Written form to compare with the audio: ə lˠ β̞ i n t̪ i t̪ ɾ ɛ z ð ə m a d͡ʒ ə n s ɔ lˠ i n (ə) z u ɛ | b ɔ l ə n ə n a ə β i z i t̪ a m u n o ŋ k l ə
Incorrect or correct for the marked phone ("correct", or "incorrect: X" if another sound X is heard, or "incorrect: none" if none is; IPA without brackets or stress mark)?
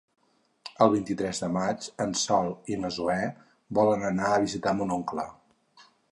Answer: correct